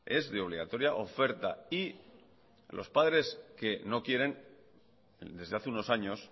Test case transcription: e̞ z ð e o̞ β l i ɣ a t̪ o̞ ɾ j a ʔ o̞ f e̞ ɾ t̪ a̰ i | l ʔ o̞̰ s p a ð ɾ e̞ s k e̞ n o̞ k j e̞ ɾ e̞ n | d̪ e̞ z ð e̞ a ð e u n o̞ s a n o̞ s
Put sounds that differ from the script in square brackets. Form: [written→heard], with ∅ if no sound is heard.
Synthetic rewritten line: e̞ z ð e o̞ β l i ɣ a t̪ o̞ ɾ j a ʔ o̞ f e̞ ɾ t̪ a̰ i | l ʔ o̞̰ s p a ð ɾ e̞ s k e̞ n o̞ k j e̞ ɾ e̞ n | d̪ e̞ z ð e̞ a [ð→θ] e u n o̞ s a [n→ɲ] o̞ s